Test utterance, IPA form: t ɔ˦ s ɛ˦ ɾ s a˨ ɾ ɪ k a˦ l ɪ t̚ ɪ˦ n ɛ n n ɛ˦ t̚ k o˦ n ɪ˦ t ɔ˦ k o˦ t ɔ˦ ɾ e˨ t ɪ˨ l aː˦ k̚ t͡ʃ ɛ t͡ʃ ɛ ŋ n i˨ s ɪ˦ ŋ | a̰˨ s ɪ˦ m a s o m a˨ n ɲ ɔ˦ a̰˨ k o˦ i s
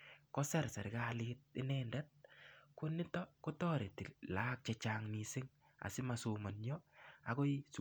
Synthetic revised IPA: k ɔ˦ s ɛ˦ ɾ s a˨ ɾ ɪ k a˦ l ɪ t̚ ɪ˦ n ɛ n d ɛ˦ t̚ k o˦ n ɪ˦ t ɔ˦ k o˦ t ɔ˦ ɾ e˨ t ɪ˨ l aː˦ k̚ t͡ʃ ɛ t͡ʃ a ŋ n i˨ s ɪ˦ ŋ | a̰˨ s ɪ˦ m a s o m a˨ n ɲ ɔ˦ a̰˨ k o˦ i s